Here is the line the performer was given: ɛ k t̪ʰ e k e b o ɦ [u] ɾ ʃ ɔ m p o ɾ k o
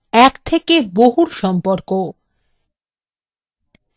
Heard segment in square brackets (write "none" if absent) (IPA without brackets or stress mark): u